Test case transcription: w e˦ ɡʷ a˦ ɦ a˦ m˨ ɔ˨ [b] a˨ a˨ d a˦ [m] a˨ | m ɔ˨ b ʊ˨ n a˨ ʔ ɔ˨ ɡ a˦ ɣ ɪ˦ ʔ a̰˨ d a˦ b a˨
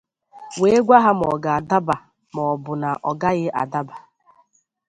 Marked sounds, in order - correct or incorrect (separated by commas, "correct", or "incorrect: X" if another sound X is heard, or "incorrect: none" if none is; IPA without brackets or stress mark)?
incorrect: ɡ, incorrect: b